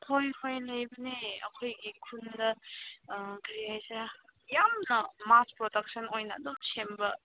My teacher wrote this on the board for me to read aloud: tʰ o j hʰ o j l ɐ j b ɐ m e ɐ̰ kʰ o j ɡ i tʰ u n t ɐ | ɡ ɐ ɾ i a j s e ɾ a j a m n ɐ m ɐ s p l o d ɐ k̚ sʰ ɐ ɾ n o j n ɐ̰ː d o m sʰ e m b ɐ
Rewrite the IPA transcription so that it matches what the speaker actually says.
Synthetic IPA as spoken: tʰ o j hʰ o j l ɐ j b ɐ n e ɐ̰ kʰ o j ɡ i kʰ u n d ɐ | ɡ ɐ ɾ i a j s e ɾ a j a m n ɐ m a s p ɾ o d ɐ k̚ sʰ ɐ n o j n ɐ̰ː d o m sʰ e m b ɐ